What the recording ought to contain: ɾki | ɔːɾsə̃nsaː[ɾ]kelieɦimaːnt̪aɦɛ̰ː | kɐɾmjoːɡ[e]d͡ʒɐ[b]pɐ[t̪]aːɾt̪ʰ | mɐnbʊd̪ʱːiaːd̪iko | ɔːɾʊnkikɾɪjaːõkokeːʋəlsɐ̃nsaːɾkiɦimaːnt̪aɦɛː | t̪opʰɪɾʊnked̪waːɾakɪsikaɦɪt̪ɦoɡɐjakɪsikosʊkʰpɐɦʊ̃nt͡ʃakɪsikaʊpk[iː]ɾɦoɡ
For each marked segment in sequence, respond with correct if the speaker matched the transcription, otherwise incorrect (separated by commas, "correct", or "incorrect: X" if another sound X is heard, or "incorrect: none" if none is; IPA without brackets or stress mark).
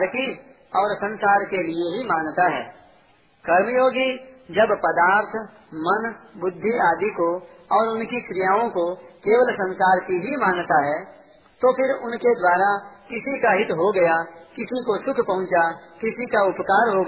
correct, incorrect: i, correct, incorrect: d̪, incorrect: aː